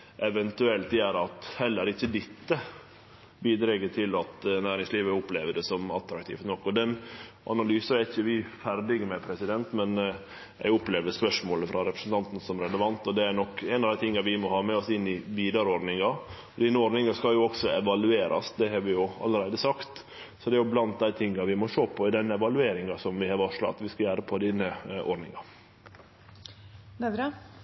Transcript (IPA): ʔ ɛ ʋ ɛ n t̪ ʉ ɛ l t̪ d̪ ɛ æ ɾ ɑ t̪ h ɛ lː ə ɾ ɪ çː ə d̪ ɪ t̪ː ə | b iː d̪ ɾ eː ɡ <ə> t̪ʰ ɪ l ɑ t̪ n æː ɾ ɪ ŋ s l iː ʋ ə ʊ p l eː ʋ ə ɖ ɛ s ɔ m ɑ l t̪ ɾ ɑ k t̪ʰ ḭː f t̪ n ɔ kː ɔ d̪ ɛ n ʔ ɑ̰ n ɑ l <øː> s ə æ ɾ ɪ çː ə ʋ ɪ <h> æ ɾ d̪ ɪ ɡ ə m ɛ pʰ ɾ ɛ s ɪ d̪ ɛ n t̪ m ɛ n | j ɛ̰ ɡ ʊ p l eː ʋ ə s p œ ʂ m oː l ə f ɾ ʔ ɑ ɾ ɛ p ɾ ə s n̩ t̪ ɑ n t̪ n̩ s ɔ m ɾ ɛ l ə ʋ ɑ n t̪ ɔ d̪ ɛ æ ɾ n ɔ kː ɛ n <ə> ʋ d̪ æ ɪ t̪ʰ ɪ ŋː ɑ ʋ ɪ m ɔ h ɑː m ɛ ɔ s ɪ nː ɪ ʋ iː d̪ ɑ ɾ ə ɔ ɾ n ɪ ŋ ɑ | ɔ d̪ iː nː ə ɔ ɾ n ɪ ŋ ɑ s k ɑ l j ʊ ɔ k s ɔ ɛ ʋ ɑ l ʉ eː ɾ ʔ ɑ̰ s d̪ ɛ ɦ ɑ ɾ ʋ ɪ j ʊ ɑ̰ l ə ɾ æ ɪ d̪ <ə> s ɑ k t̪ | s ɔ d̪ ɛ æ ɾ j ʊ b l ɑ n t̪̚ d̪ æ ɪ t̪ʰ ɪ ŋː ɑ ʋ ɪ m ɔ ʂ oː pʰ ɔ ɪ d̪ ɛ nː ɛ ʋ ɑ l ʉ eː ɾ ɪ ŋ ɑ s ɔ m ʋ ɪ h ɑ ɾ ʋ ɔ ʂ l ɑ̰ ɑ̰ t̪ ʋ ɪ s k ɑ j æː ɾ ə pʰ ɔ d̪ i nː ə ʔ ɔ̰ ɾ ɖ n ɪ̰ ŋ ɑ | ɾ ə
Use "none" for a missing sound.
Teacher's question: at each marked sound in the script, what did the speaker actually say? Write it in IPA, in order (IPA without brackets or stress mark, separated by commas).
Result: ə, yː, f, ɑ, ə